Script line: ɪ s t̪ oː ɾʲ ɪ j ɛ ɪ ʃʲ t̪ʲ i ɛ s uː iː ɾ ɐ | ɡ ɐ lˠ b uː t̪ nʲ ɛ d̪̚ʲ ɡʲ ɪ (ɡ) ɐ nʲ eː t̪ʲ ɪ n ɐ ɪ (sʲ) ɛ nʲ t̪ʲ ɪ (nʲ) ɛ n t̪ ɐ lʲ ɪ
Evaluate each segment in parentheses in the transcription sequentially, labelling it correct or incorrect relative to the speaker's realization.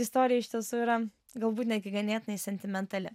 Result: correct, correct, incorrect

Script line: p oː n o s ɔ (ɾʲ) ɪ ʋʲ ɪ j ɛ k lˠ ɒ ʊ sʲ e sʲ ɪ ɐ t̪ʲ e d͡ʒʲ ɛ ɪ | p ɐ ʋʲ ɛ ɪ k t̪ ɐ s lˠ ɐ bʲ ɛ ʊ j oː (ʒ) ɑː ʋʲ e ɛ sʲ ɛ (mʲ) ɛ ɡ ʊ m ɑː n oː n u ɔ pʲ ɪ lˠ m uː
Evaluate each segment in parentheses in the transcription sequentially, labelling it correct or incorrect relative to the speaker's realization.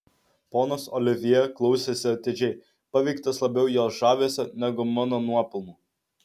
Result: incorrect, correct, incorrect

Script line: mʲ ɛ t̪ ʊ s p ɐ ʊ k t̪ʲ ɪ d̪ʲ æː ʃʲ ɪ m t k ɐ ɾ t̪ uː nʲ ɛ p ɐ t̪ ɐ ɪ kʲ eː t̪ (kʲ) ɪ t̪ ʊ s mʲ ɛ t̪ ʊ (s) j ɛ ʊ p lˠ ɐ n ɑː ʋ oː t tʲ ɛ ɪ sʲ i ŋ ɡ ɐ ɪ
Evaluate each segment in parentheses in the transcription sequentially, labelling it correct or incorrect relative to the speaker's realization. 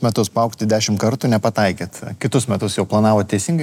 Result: correct, correct

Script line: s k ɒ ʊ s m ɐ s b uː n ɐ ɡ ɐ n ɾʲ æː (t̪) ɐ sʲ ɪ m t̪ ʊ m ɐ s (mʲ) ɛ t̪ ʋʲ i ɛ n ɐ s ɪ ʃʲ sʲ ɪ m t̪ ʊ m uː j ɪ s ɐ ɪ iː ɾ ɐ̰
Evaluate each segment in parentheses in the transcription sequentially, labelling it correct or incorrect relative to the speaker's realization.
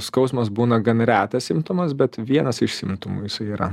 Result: correct, incorrect

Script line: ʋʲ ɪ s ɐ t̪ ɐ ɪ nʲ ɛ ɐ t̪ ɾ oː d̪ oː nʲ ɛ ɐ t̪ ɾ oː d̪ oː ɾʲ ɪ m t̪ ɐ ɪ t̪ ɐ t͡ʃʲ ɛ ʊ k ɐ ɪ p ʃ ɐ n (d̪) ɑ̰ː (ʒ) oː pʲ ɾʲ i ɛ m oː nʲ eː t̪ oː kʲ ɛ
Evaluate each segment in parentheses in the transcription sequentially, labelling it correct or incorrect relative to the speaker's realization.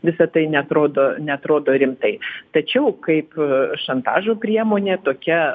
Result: incorrect, correct

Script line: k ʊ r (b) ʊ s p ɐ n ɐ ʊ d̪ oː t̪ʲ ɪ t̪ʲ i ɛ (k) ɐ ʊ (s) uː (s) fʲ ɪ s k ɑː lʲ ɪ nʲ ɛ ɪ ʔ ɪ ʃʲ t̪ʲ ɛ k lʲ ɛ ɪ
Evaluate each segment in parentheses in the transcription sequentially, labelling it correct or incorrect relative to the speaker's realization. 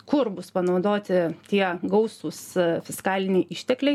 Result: correct, incorrect, correct, correct

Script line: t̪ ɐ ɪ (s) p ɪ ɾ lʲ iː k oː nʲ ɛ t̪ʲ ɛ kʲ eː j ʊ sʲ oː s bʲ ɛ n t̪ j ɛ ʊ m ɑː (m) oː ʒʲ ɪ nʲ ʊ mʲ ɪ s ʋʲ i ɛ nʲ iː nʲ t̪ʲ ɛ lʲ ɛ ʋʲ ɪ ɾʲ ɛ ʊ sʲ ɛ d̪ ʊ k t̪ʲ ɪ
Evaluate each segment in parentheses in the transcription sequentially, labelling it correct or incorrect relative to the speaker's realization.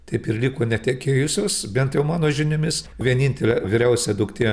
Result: incorrect, incorrect

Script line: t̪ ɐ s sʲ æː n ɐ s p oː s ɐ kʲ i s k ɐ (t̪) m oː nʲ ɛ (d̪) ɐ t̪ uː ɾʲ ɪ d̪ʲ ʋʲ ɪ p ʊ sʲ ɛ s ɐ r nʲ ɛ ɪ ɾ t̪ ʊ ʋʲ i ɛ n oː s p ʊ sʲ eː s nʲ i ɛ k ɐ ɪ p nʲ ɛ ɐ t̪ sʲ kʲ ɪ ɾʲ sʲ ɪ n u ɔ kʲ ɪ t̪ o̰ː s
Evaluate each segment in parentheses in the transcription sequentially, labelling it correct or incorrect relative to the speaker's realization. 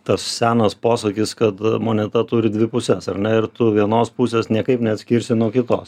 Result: correct, incorrect

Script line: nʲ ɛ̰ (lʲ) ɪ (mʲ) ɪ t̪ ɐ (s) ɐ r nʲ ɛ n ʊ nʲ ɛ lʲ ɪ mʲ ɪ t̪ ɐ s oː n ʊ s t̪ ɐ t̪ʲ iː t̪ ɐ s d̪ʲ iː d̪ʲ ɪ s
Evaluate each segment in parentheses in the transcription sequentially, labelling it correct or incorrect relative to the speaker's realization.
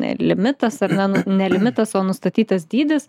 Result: correct, correct, correct

